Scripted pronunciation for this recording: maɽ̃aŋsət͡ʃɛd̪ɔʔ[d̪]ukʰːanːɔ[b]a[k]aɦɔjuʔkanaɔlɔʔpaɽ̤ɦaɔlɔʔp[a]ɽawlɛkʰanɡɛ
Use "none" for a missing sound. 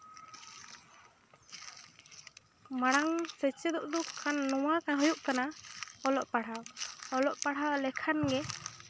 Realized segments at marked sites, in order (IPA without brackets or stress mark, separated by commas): d̪, w, k, a